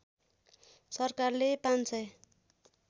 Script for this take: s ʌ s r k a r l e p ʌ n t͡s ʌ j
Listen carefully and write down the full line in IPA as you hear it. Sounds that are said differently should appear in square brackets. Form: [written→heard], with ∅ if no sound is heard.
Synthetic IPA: s ʌ [s→∅] r k a r l e p [ʌ→a] n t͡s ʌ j